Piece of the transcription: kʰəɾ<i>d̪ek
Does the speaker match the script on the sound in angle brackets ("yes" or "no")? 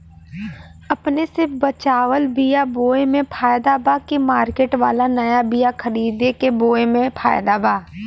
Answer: no